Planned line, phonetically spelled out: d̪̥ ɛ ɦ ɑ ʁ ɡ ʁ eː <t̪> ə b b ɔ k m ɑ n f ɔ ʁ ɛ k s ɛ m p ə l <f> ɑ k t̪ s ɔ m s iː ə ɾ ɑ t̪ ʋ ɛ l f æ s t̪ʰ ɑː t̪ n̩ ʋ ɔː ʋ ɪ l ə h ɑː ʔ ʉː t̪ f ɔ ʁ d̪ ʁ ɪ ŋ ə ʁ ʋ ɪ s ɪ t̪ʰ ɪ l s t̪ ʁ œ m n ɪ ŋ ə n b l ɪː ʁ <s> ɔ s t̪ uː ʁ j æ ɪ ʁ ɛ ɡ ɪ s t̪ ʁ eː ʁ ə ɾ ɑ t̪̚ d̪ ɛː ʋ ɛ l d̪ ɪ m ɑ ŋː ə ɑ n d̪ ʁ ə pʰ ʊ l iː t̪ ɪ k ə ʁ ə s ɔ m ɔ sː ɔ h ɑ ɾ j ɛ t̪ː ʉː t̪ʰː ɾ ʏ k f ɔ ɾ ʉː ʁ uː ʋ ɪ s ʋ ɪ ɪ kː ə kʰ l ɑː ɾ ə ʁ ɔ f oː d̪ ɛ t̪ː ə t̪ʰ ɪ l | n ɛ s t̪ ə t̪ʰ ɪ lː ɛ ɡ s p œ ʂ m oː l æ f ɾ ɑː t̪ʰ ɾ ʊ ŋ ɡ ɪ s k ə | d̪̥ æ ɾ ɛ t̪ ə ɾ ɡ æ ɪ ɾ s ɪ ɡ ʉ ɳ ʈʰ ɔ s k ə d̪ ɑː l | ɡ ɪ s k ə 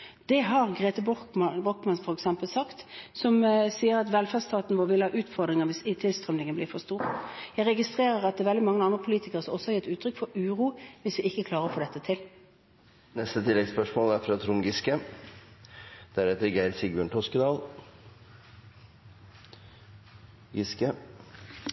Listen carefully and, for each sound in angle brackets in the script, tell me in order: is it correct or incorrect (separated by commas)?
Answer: correct, incorrect, incorrect